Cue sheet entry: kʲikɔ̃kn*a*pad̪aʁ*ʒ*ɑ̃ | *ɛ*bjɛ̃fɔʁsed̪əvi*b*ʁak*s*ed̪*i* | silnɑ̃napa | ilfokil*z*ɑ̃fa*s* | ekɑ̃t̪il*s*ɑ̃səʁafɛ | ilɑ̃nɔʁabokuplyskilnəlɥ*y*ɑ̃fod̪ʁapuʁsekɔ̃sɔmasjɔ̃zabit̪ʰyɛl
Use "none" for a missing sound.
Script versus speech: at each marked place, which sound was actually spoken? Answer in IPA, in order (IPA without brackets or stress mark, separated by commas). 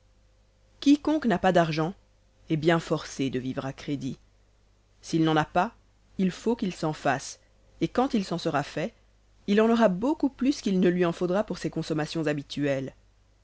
a, ʒ, ɛ, v, χ, i, s, s, s, i